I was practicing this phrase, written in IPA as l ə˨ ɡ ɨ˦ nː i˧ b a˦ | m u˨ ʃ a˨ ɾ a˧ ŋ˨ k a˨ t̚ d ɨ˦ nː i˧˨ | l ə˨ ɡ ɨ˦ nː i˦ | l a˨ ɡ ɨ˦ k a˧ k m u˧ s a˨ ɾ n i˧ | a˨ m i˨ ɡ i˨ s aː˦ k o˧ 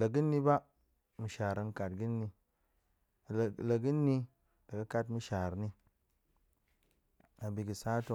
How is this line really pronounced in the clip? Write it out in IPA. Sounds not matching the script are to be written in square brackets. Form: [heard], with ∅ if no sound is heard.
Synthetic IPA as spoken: l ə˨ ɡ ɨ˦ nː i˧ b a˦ | m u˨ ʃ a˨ ɾ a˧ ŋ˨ k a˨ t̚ [ɡ] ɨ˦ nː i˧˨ | l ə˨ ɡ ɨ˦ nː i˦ | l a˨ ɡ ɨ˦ k a˧ [t] m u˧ [ʃ] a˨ ɾ n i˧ | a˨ [b] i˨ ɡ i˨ s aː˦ [t] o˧

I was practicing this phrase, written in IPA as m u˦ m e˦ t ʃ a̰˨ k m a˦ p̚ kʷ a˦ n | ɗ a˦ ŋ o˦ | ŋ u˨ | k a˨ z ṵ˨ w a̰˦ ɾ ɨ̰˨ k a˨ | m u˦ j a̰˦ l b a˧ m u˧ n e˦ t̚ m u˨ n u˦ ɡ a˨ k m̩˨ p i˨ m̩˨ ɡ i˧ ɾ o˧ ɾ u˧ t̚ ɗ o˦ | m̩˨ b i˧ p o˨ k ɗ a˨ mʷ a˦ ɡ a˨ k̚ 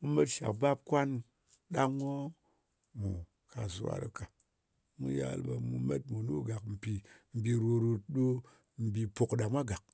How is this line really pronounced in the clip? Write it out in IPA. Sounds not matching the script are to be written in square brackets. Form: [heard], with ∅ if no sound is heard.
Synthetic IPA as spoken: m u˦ m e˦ t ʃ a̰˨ k [b] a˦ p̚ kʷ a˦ n | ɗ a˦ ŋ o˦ | [m] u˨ | k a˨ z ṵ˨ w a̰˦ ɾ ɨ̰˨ k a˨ | m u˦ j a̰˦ l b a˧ m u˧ [m] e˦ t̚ m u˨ n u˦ ɡ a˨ k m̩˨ p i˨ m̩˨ [b] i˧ ɾ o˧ ɾ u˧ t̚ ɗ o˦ | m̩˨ b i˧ p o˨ k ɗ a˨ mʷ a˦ ɡ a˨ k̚

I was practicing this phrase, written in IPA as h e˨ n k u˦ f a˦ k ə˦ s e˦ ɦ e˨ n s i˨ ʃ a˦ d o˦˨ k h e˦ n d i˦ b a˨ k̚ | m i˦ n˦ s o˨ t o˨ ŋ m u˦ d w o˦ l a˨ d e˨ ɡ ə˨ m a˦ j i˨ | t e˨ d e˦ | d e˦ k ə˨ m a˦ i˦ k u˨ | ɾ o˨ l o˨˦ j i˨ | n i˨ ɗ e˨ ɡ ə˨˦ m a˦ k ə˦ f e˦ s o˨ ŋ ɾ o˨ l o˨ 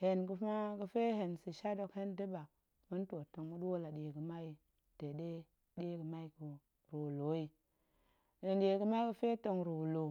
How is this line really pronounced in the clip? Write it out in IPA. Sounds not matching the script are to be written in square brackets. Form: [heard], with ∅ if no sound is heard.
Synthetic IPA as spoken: h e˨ n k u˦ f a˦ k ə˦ [f] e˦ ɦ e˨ n s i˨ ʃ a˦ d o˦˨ k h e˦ n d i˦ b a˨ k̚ | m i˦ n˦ [t] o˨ t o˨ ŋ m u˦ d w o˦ l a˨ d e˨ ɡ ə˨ m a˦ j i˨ | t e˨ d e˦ | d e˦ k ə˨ m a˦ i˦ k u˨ | ɾ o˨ l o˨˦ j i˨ | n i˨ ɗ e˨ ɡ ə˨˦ m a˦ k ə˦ f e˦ [t] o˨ ŋ ɾ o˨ l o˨

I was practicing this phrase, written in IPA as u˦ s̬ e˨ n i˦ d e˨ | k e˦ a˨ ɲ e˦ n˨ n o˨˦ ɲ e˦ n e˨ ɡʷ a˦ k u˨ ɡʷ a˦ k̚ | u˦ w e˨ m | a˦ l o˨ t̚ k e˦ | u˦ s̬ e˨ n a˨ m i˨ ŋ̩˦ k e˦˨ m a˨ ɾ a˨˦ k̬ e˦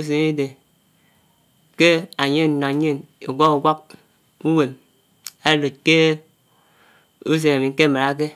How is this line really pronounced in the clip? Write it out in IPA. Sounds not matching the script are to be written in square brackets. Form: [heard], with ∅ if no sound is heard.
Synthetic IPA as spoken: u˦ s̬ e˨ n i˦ d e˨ | k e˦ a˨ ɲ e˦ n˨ n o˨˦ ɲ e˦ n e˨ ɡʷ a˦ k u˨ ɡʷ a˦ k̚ | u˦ w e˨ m | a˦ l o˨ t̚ k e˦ | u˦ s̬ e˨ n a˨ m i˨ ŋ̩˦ k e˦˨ m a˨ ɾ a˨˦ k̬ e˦

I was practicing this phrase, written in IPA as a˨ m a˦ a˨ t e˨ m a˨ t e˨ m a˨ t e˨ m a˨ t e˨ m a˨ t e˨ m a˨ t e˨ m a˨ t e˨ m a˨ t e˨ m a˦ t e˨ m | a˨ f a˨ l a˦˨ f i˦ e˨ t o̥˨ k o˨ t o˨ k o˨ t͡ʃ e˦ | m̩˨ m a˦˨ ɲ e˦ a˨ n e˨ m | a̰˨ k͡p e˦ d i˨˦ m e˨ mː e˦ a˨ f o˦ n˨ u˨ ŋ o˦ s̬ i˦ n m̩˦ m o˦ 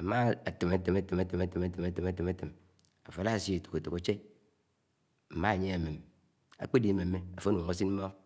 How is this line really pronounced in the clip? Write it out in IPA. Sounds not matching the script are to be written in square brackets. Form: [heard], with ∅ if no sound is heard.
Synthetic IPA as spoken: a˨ m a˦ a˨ t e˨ m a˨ t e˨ m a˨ t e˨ m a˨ t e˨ m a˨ t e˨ m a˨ t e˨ m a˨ t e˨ m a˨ t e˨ m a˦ t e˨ m | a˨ f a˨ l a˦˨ [s] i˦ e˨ t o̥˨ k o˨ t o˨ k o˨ t͡ʃ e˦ | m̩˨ m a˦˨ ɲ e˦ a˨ [m] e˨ m | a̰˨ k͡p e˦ d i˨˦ m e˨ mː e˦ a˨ f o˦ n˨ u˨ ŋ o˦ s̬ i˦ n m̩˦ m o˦

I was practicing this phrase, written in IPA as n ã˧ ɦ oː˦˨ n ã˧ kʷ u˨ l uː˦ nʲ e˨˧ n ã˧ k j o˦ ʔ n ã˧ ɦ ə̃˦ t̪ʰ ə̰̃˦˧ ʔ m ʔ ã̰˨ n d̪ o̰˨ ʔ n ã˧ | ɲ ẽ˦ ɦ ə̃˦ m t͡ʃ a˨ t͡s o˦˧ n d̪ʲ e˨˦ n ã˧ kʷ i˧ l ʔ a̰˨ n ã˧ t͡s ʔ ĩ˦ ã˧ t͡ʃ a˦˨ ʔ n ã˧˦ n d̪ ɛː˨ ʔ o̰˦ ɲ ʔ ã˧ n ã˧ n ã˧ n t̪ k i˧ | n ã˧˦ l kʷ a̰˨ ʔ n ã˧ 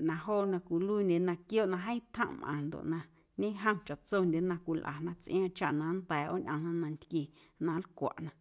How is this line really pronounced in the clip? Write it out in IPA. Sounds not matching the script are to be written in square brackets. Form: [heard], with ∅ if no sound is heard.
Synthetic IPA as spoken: n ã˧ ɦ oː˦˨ n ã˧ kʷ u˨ l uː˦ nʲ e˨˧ n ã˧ k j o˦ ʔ n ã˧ ɦ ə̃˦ t̪ʰ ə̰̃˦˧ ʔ m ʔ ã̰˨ n d̪ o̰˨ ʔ n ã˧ | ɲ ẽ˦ ɦ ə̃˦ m t͡ʃ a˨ t͡s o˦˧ n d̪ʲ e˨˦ n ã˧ kʷ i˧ l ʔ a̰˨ n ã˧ t͡s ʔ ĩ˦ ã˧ t͡ʃ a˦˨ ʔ n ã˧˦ n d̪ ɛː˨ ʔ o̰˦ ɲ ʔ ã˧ n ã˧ n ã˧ n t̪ k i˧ | n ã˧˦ l kʷ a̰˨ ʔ n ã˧

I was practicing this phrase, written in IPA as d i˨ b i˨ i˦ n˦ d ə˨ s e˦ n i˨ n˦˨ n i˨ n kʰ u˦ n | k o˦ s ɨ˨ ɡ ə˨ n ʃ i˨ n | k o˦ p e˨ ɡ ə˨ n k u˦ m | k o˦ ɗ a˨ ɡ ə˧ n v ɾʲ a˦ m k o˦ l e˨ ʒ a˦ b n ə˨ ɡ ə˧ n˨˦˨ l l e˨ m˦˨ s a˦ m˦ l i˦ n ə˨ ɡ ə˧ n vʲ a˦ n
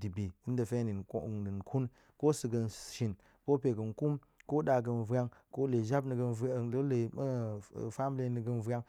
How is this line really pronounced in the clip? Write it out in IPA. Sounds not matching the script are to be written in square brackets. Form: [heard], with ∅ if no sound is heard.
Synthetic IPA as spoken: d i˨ b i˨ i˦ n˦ d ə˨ [f] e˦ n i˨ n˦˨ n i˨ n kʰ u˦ n | k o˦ s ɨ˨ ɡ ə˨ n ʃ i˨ n | k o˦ p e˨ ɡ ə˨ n k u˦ m | k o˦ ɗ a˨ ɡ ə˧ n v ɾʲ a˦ [ŋ] k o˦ l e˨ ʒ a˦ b n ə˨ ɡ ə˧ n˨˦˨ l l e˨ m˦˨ [f] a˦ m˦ l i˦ n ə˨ ɡ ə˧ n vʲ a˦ [ŋ]

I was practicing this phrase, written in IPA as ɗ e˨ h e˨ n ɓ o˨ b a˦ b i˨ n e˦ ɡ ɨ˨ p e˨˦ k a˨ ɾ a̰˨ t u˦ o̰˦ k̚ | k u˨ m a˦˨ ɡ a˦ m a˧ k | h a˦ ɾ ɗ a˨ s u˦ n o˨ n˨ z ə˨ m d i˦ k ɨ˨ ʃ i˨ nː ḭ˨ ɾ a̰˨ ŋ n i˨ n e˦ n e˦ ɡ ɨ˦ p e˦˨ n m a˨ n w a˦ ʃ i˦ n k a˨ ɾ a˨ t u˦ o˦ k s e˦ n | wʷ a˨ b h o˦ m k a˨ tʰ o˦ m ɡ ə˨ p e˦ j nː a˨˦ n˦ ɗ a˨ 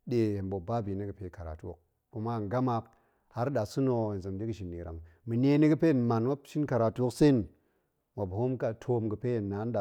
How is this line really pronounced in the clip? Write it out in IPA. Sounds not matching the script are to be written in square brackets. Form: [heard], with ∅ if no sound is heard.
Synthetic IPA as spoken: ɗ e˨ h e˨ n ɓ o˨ b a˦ b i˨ n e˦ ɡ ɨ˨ p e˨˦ k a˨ ɾ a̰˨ t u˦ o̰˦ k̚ | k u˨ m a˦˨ ɡ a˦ m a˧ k | h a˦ ɾ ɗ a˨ s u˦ n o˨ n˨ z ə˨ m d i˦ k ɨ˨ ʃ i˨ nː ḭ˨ ɾ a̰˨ ŋ [m] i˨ n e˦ n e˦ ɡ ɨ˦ p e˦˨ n m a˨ n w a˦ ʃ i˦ n k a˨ ɾ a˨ t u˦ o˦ k s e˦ n | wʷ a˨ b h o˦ m k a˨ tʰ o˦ m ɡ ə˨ p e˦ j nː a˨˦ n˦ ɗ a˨

